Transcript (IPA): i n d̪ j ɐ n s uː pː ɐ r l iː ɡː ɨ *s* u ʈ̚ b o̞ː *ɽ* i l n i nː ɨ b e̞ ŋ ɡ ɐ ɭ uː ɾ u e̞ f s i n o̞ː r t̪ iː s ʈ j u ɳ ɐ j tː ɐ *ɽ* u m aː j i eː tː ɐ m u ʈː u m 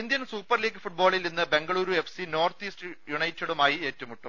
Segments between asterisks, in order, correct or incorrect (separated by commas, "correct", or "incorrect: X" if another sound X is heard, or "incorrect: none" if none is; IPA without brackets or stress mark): incorrect: f, incorrect: ɭ, correct